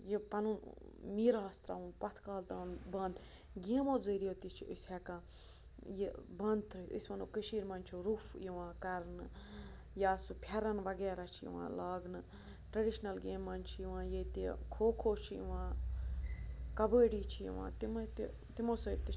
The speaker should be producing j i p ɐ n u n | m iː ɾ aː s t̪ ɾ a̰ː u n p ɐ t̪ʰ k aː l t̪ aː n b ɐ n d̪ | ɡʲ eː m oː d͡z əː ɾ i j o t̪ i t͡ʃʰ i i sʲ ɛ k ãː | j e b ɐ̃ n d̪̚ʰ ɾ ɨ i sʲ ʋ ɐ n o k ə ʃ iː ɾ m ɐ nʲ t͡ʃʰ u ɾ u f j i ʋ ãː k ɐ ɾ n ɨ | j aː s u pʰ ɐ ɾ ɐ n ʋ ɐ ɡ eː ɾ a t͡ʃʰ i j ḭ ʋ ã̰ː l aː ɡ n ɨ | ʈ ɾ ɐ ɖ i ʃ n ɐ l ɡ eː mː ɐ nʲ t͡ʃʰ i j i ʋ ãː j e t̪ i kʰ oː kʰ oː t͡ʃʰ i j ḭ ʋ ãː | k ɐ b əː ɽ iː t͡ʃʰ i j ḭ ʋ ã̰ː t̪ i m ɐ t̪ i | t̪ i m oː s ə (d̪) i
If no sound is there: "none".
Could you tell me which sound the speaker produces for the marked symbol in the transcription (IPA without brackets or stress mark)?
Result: t̪